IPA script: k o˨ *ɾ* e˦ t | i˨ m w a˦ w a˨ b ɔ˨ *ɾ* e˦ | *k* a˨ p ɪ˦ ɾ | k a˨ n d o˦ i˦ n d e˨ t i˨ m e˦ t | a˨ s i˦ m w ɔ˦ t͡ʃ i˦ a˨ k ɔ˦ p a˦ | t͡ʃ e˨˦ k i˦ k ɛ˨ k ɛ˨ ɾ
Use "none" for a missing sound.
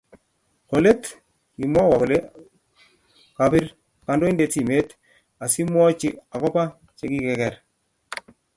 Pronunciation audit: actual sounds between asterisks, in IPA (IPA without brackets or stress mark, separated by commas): l, l, k